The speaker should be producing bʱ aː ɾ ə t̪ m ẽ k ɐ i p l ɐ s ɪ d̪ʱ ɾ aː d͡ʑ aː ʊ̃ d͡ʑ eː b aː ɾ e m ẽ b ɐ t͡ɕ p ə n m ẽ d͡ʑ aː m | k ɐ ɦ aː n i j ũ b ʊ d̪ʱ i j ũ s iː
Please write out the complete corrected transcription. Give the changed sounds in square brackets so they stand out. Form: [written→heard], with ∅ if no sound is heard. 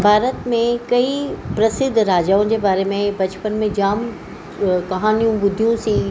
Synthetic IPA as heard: bʱ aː ɾ ə t̪ m ẽ k ɐ i p [l→ɾ] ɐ s ɪ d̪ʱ ɾ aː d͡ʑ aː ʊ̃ d͡ʑ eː b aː ɾ e m ẽ b ɐ t͡ɕ p ə n m ẽ d͡ʑ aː m | k ɐ ɦ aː n i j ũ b ʊ d̪ʱ i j ũ s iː